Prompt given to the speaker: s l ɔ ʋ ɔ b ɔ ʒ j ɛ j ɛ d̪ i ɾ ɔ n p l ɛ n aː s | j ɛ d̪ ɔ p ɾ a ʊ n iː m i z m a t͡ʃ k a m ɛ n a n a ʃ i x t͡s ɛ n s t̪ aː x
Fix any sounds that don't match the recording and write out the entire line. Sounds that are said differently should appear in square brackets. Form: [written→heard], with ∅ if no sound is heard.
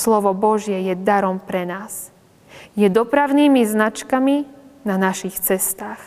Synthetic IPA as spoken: s l ɔ ʋ ɔ b ɔ ʒ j ɛ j ɛ d̪ [i→a] ɾ ɔ [n→m] p [l→ɾ] ɛ n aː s | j ɛ d̪ ɔ p ɾ a ʊ n iː m i z [m→n] a t͡ʃ k a m [ɛ→i] n a n a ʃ i x t͡s ɛ [n→∅] s t̪ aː x